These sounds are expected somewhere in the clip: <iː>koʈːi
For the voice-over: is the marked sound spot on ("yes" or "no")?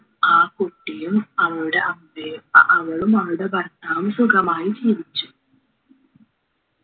no